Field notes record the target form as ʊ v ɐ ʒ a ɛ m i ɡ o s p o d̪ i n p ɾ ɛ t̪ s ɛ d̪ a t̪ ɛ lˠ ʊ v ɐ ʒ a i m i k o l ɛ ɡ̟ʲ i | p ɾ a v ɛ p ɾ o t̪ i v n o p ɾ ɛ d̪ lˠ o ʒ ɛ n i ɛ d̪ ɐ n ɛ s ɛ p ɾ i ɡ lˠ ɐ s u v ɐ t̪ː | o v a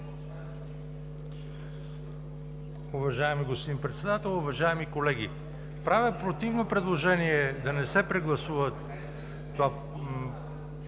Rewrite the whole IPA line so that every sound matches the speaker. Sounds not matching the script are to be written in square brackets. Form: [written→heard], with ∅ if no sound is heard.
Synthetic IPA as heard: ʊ v ɐ ʒ a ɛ m i ɡ o s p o d̪ i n p ɾ ɛ t̪ s ɛ d̪ a t̪ ɛ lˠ ʊ v ɐ ʒ a [i→ɛ] m i k o l ɛ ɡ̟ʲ i | p ɾ a v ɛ p ɾ o t̪ i v n o p ɾ ɛ d̪ lˠ o ʒ ɛ n i ɛ d̪ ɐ n ɛ s ɛ p ɾ [i→ɛ] ɡ lˠ ɐ s u v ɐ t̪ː | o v a

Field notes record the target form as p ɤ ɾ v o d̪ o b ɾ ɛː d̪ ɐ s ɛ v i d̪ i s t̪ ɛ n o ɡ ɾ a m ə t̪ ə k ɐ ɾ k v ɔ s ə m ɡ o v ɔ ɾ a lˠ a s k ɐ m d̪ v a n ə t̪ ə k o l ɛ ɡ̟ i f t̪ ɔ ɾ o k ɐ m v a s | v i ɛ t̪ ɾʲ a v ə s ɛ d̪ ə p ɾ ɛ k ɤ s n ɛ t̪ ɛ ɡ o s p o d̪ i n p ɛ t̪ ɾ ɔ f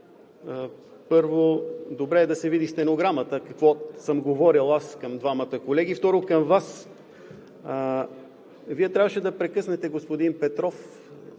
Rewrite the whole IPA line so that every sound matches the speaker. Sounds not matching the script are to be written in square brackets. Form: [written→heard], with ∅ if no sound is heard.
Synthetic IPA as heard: p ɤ ɾ v o d̪ o b ɾ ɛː d̪ ɐ s ɛ v i d̪ i s t̪ ɛ n o ɡ ɾ a m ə t̪ ə k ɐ [ɾ→∅] k v ɔ s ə m ɡ o v ɔ ɾ [a→i] lˠ a s k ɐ m d̪ v a [n→m] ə t̪ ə k o l ɛ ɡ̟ i f t̪ ɔ ɾ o k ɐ m v a s | v i ɛ t̪ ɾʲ a v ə [s→ʃ] ɛ d̪ [ə→ɐ] p ɾ ɛ k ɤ s n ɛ t̪ ɛ ɡ o s p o d̪ i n p ɛ t̪ ɾ ɔ f

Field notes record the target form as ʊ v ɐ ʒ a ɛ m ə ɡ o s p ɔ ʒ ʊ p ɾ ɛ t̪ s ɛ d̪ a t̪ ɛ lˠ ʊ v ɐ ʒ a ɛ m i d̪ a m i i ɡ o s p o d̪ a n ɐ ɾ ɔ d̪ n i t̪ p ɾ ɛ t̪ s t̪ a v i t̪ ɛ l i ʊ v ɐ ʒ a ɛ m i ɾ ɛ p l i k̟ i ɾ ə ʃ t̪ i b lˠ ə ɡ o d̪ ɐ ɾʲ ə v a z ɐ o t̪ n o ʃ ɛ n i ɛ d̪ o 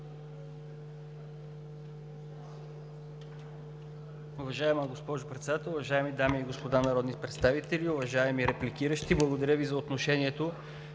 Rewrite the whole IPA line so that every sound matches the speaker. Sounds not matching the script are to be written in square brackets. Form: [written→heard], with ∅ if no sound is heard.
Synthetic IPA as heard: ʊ v ɐ ʒ a ɛ m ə ɡ o s p ɔ ʒ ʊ p ɾ ɛ t̪ s ɛ d̪ a t̪ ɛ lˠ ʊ v ɐ ʒ a ɛ m i d̪ a m i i ɡ o s p o d̪ a n ɐ ɾ ɔ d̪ n i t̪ p ɾ ɛ t̪ s t̪ a v i t̪ ɛ l i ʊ v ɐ ʒ a ɛ m i ɾ ɛ p l i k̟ i ɾ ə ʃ t̪ i b lˠ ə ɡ o d̪ ɐ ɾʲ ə v [a→i] z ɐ o t̪ n o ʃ ɛ n i ɛ [d̪→t̪] o

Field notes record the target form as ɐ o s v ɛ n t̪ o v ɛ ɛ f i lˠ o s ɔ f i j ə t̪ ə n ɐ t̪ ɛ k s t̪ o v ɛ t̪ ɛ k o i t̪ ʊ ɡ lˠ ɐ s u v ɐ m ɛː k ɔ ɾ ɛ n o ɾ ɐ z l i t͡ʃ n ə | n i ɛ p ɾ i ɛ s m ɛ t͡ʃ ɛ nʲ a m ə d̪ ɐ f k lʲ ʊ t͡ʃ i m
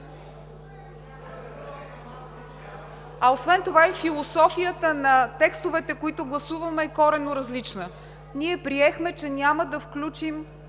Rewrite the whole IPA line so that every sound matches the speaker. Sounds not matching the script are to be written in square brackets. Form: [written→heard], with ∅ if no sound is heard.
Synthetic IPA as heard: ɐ o s v ɛ n t̪ o v [ɛ→a] ɛ f i lˠ o s ɔ f i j ə t̪ ə n ɐ t̪ ɛ k s t̪ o v ɛ t̪ ɛ k o i t̪ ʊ ɡ lˠ ɐ s u v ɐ m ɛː k ɔ ɾ ɛ n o ɾ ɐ z l i t͡ʃ n ə | n i ɛ p ɾ i ɛ [s→x] m ɛ t͡ʃ ɛ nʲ a m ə d̪ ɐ f k lʲ [ʊ→u] t͡ʃ i m

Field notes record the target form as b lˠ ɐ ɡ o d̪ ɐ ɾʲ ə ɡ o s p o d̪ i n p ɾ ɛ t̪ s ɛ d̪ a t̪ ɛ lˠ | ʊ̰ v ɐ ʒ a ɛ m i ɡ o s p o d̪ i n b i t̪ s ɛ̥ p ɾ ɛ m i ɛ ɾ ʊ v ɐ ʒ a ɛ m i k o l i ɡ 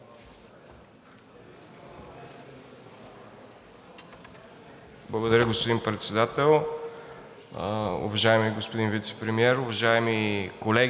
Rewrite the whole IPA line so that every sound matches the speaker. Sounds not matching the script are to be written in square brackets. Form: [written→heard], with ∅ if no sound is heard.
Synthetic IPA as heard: b lˠ ɐ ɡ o d̪ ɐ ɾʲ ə ɡ o s p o d̪ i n p ɾ ɛ t̪ s ɛ d̪ a t̪ ɛ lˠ | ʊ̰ v ɐ ʒ a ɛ m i ɡ o s p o d̪ i n [b→v] i t̪ s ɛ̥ p ɾ ɛ m i ɛ ɾ ʊ v ɐ ʒ a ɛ m i k o l [i→ɛ] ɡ

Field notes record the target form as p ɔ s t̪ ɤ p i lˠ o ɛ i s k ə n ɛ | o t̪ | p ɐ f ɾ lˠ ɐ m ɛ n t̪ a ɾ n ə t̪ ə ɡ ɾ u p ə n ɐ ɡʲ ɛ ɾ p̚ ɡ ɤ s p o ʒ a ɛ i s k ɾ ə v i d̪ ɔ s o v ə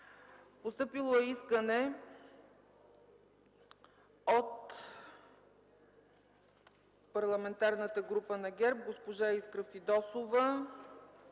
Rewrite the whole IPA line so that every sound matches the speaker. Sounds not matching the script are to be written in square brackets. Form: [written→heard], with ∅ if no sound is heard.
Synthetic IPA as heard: p [ɔ→o] s t̪ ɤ p i lˠ o ɛ i s k ə n ɛ | o t̪ | p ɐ [f→∅] ɾ lˠ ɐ m ɛ n t̪ a ɾ n ə t̪ ə ɡ ɾ u p ə n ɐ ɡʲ ɛ ɾ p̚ ɡ [ɤ→o] s p o ʒ a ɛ i s k ɾ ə [v→f] i d̪ ɔ s o v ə

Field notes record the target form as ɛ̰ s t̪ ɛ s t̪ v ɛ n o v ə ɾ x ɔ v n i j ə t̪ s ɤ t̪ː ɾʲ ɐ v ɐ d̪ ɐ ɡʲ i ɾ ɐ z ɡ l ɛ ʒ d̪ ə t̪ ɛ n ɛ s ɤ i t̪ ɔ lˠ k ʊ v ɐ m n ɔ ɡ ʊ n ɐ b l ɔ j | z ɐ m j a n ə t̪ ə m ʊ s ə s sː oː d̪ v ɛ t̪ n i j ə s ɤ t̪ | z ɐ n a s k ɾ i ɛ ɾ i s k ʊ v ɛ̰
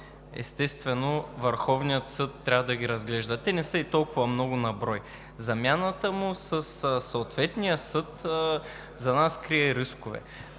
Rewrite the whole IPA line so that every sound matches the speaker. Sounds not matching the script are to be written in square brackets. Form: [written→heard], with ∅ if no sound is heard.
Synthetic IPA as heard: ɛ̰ s t̪ ɛ s t̪ v ɛ n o v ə ɾ x ɔ v n i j ə t̪ s ɤ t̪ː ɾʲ [ɐ→a] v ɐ d̪ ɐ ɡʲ i ɾ ɐ z ɡ l ɛ ʒ d̪ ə t̪ ɛ n ɛ s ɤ i t̪ ɔ lˠ k ʊ v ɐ m n ɔ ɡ ʊ n ɐ b [l→ɾ] ɔ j | z ɐ m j a n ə t̪ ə m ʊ s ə s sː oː [d̪→t̪] v ɛ t̪ n i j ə s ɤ t̪ | z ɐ n a s k ɾ i ɛ ɾ i s k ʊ v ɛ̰

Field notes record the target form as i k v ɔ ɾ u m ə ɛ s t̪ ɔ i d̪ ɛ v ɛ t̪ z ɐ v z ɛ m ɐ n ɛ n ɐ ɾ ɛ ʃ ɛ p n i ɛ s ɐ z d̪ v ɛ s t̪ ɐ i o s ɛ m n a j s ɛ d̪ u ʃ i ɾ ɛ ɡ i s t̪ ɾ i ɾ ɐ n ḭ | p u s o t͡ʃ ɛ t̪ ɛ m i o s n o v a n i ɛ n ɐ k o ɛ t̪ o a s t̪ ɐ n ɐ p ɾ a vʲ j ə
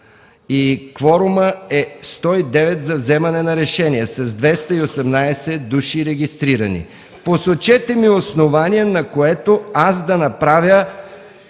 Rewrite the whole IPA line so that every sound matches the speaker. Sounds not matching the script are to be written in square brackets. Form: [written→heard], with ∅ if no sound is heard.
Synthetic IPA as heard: i k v ɔ ɾ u m ə ɛ s t̪ ɔ i d̪ ɛ v ɛ t̪ z ɐ v z ɛ m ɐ n ɛ n ɐ ɾ ɛ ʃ ɛ [p→∅] n i ɛ s ɐ z d̪ v ɛ s t̪ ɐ i o s ɛ m n a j s ɛ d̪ u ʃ i ɾ ɛ ɡ i s t̪ ɾ i ɾ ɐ n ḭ | p [u→o] s o t͡ʃ ɛ t̪ ɛ m i o s n o v a n i ɛ n ɐ k o ɛ t̪ o a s [t̪→d̪] ɐ n ɐ p ɾ a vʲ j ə

